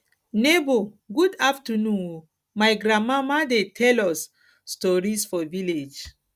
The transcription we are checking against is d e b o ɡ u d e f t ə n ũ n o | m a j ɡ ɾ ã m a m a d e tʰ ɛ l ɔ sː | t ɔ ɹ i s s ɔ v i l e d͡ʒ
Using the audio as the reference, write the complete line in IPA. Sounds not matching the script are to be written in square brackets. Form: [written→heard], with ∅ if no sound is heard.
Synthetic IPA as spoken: [d→n] e b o ɡ u d [e→a] f t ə n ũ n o | m a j ɡ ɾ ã m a m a d e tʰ ɛ l ɔ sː | t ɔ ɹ i s [s→f] ɔ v i l e d͡ʒ